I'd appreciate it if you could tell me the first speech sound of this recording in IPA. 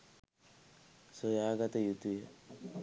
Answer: s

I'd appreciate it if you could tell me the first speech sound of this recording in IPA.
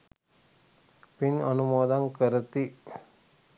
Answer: p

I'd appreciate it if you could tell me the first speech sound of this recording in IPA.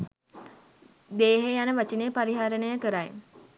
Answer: d̪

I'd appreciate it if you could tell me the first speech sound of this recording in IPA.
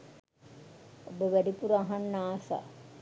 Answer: o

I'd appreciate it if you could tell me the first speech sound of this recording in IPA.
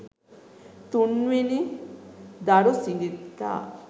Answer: t̪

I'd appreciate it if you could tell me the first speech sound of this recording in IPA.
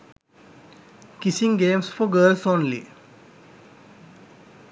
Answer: k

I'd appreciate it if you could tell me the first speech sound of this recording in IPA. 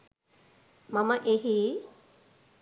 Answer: m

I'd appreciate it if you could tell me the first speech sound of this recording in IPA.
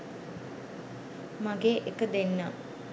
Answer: m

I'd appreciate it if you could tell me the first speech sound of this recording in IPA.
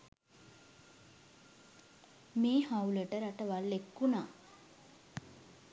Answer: m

